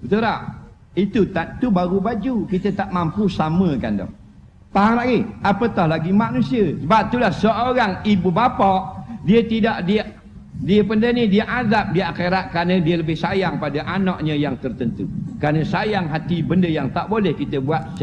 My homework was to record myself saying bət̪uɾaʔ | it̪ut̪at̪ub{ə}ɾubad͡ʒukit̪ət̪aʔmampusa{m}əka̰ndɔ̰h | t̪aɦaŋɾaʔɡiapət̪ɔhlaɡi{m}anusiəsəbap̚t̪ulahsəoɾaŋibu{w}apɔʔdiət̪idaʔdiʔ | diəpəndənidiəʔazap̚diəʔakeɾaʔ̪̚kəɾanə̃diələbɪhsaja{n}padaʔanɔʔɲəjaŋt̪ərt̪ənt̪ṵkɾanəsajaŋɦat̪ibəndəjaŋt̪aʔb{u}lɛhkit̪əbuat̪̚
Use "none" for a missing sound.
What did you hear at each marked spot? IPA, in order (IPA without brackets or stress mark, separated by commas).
a, m, m, b, ŋ, o